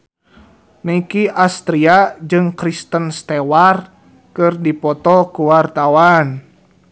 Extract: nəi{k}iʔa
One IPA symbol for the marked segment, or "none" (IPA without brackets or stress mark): k